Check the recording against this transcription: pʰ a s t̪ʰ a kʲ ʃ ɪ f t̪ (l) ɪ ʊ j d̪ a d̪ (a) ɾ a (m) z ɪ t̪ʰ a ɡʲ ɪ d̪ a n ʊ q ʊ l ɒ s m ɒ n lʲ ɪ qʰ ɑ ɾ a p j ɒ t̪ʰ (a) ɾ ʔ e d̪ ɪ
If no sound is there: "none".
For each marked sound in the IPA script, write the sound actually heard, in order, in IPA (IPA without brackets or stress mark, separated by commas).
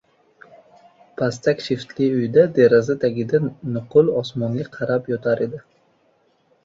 l, e, none, a